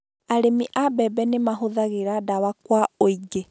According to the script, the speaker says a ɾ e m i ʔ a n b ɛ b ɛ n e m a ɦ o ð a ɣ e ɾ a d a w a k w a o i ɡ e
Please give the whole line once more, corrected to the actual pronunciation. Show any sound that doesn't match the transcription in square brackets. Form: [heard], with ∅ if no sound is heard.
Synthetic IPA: a ɾ e m i ʔ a [∅] b ɛ b ɛ n e m a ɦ o ð a ɣ e ɾ a d a w a k w a o i ɡ e